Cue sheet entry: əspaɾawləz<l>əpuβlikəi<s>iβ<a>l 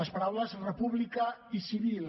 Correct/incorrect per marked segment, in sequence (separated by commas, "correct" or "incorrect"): incorrect, correct, incorrect